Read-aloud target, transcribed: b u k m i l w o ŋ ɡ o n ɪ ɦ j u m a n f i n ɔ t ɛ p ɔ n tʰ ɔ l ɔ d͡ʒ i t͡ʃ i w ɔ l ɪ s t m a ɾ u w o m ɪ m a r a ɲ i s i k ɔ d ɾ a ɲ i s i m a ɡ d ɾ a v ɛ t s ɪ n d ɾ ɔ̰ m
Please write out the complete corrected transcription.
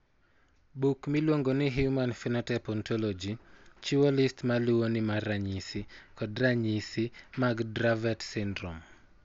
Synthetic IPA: b u k m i l w o ŋ ɡ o n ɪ ɦ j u m a n f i n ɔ t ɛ p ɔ n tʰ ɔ l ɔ d͡ʒ i t͡ʃ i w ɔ l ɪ s t m a l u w o n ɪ m a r a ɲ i s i k ɔ d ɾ a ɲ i s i m a ɡ d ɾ a v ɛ t s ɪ n d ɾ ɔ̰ m